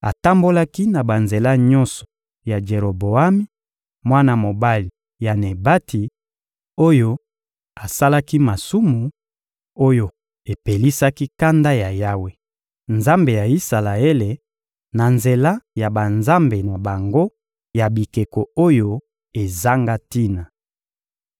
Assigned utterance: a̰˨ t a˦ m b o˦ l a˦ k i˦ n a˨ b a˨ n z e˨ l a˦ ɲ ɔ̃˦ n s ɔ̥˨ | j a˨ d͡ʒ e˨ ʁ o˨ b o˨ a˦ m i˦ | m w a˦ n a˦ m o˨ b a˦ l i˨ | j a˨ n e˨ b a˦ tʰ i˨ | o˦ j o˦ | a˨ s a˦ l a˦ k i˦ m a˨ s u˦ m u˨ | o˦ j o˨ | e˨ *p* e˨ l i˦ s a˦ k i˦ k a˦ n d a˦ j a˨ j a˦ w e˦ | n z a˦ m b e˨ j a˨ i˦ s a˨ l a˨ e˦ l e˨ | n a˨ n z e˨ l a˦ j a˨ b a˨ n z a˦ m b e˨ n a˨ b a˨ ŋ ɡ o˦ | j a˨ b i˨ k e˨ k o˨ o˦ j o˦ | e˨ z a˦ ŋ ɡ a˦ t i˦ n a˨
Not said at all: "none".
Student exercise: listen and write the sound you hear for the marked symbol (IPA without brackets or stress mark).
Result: p